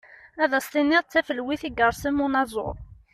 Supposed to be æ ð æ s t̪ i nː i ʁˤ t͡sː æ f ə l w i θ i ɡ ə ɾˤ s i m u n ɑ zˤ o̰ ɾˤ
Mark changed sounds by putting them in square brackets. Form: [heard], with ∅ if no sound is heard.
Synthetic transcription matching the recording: æ ð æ s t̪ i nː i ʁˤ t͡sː æ f ə l w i θ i ɡ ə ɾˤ s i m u n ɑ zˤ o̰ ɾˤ